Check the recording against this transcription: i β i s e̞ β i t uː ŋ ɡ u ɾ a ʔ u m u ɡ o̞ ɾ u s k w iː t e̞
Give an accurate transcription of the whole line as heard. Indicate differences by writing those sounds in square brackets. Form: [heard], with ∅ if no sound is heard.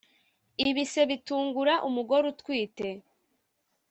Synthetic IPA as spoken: i β i s e̞ β i t uː ŋ ɡ u ɾ a ʔ u m u ɡ o̞ ɾ u [t] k w iː t e̞